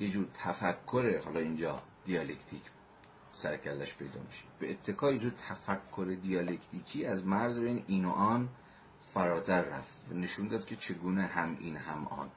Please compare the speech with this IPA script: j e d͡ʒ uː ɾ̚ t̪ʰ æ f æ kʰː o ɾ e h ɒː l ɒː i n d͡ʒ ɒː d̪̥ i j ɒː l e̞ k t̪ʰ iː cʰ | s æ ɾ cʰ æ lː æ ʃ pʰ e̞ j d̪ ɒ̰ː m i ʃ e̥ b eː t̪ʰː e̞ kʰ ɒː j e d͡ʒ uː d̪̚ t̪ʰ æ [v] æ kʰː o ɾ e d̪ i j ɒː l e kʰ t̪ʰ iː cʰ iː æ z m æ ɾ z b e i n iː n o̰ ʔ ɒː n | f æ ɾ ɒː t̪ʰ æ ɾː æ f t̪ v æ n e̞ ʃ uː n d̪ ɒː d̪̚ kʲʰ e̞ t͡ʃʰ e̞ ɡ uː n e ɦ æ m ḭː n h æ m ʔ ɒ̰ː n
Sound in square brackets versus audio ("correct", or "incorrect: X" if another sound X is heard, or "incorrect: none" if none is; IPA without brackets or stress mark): incorrect: f